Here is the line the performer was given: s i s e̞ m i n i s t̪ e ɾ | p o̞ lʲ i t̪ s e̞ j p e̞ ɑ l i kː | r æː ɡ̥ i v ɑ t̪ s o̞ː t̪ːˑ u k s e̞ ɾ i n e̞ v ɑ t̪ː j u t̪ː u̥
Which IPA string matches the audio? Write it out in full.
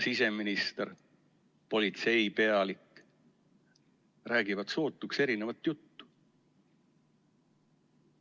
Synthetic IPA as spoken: s i s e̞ m i n i s t̪ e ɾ | p o̞ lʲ i t̪ s e̞ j p e̞ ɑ l i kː | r æː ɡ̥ i v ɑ t̪ s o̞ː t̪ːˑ u k s e̞ ɾ i n e̞ v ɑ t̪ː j u t̪ː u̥